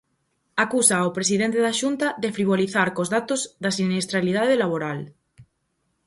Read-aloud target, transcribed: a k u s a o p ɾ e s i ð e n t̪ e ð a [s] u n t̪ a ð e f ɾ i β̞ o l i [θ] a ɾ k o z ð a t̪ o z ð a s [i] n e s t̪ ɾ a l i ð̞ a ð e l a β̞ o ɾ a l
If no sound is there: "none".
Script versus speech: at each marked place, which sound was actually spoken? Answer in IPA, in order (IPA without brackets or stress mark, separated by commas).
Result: ʃ, θ, i